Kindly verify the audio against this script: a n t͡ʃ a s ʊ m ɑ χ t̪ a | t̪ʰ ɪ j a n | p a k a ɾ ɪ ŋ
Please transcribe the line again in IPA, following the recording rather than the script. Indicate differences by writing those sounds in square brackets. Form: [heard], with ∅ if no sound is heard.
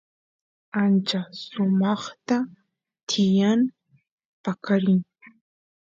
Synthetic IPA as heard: a n t͡ʃ a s ʊ m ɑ χ t̪ a | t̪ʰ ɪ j a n | p a k a ɾ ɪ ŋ